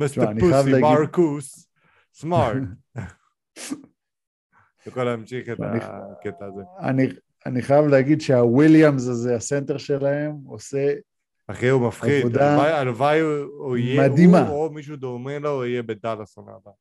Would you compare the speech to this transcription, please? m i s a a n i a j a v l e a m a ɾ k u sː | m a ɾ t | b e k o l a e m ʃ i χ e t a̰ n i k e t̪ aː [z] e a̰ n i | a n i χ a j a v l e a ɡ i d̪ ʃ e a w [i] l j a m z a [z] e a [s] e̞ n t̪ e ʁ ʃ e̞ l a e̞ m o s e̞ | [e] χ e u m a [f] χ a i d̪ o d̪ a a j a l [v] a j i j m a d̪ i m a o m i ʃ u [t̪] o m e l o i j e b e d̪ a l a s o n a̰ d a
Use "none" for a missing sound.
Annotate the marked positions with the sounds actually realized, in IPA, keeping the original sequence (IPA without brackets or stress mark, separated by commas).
z, i, z, s, a, f, v, d̪